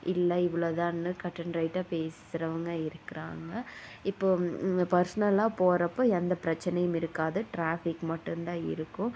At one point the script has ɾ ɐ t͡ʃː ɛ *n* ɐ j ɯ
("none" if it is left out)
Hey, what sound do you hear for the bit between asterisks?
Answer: n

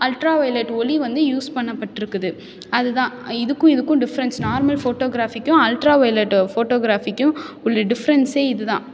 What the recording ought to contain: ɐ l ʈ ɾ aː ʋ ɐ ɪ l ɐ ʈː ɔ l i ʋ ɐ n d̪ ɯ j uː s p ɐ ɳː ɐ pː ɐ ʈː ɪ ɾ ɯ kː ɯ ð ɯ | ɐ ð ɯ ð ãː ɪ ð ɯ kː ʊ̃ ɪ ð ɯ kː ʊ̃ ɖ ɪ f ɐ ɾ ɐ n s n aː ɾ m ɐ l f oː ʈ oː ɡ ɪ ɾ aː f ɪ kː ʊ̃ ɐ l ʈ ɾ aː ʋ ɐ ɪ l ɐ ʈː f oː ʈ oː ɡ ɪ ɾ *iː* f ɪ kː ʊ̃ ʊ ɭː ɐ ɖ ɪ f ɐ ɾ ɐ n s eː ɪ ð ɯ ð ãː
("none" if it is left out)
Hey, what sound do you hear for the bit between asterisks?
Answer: aː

